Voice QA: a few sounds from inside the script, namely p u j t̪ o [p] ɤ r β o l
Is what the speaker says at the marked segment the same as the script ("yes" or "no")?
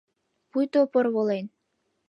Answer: yes